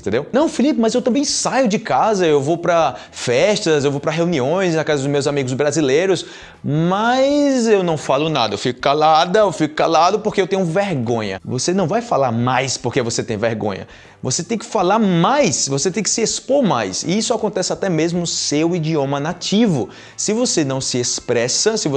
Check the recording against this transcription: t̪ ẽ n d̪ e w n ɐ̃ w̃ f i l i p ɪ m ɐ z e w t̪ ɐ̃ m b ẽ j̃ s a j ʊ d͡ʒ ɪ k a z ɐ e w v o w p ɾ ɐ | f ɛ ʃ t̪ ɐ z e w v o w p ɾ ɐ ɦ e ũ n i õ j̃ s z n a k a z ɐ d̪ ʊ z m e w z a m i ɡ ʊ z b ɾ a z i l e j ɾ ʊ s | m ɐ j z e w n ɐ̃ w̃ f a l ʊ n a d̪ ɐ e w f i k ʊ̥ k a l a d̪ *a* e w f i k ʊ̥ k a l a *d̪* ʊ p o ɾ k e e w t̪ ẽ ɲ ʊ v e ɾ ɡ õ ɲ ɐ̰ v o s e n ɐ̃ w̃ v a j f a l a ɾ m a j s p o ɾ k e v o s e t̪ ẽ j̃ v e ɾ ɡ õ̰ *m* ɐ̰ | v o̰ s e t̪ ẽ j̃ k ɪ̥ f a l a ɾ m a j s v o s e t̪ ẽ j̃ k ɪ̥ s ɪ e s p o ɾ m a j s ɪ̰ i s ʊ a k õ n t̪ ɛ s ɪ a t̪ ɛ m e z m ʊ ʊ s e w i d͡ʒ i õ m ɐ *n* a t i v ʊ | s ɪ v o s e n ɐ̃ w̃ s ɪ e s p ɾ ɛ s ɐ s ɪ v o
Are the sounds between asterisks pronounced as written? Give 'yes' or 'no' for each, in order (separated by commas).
no, yes, no, yes